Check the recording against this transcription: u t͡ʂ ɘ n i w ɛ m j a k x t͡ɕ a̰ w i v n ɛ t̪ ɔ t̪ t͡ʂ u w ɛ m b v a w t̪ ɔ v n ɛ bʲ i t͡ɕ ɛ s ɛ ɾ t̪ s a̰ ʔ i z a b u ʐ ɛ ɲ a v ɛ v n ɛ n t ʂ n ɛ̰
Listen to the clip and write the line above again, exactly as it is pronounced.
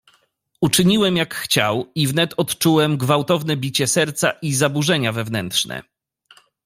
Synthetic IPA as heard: u t͡ʂ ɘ ɲ i w ɛ m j a k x t͡ɕ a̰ w i v n ɛ t̪ ɔ t̪ t͡ʂ u w ɛ m ɡ v a w t̪ ɔ v n ɛ bʲ i t͡ɕ ɛ s ɛ ɾ t̪ s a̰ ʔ i z a b u ʐ ɛ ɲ a v ɛ v n ɛ n t ʂ n ɛ̰